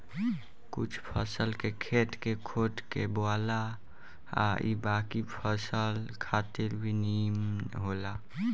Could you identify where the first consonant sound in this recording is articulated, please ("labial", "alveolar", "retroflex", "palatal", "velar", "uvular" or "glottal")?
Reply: velar